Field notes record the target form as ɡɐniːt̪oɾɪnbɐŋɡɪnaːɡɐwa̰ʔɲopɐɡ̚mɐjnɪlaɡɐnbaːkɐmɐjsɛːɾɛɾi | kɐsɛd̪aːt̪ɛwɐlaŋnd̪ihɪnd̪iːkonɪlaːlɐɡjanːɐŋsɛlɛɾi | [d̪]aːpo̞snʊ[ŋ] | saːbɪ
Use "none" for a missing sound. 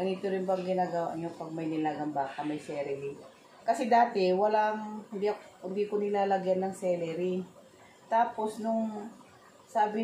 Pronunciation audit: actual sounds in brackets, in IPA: t̪, ŋ

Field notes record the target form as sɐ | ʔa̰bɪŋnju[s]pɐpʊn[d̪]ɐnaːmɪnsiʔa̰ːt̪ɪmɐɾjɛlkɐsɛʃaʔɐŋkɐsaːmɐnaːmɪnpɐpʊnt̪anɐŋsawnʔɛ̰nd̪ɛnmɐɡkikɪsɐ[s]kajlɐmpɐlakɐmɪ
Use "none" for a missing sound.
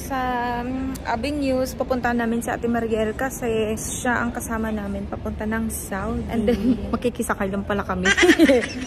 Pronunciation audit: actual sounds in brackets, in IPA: s, t̪, none

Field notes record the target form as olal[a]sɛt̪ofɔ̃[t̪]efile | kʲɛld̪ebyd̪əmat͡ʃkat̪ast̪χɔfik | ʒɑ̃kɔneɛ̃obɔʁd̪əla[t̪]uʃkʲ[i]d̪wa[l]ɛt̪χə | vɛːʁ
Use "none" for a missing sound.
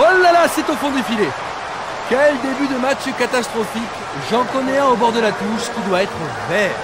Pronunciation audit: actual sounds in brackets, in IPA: a, d̪, t̪, i, none

